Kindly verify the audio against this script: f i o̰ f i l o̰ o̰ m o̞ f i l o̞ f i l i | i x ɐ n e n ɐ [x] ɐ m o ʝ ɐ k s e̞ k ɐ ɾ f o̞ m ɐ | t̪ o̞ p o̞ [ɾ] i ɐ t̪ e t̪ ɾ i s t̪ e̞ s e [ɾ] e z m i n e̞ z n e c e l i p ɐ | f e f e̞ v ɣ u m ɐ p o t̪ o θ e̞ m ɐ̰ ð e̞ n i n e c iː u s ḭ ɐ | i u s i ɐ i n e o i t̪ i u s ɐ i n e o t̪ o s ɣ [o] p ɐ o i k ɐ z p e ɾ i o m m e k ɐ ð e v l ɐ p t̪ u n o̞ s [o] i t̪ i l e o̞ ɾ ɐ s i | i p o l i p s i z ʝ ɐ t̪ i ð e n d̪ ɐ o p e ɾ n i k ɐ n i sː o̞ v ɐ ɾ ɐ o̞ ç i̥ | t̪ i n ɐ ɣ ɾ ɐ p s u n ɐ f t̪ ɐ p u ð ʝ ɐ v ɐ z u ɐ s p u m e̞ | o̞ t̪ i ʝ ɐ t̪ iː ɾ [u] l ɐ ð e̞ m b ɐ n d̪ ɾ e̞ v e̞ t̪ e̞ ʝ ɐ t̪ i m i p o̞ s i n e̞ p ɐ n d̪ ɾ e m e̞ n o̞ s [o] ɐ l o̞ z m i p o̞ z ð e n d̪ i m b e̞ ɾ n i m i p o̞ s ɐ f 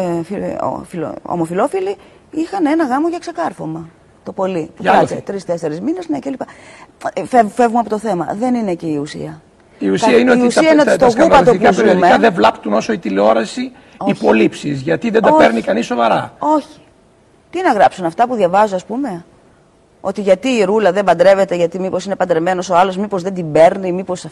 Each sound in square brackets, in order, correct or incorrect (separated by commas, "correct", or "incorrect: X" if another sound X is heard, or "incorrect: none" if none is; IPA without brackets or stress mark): incorrect: ɣ, incorrect: l, correct, incorrect: u, correct, correct, correct